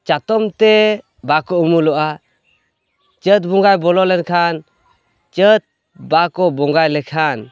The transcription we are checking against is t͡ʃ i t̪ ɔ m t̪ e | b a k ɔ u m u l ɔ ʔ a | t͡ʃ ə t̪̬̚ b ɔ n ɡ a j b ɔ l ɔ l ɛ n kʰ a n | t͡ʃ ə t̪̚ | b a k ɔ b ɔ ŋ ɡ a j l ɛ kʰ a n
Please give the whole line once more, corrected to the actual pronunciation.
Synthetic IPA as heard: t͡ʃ a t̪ ɔ m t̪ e | b a k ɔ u m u l ɔ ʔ a | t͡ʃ ə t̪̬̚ b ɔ ŋ ɡ a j b ɔ l ɔ l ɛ n kʰ a n | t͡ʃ ə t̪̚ | b a k ɔ b ɔ ŋ ɡ a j l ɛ kʰ a n